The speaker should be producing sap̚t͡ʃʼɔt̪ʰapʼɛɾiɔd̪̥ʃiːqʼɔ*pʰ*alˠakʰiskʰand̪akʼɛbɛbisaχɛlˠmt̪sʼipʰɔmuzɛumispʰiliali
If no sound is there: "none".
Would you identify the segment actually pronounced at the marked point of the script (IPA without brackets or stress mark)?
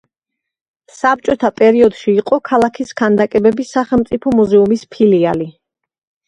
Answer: kʰ